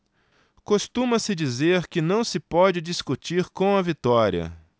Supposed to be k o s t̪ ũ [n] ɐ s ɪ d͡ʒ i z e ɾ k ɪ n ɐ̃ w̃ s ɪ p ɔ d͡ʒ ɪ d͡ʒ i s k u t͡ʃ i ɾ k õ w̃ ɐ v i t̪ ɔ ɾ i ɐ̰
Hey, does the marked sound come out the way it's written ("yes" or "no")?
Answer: no